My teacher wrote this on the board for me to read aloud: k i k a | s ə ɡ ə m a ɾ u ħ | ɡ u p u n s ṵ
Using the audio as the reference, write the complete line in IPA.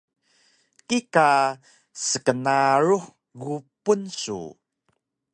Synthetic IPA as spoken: k i k a | s ə k ə n a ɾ u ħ | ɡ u p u n s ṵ